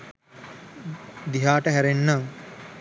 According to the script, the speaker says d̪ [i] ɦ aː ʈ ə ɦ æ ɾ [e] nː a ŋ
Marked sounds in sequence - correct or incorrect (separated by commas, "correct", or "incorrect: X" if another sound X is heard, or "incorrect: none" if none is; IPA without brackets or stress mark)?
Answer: correct, correct